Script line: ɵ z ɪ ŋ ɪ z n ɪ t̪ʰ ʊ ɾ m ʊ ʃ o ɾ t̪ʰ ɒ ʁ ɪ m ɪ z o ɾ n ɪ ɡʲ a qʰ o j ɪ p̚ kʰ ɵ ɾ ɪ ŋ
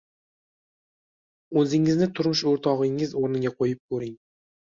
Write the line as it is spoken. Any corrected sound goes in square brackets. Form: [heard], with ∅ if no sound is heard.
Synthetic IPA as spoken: ɵ z ɪ ŋ ɪ z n ɪ t̪ʰ ʊ ɾ m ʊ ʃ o ɾ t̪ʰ ɒ ʁ ɪ [ŋ] ɪ z o ɾ n ɪ ɡʲ a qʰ o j ɪ p̚ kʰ ɵ ɾ ɪ ŋ